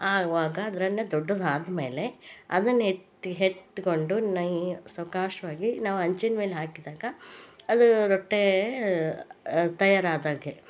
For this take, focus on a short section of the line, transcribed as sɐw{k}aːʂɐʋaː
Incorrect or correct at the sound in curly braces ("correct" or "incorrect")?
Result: correct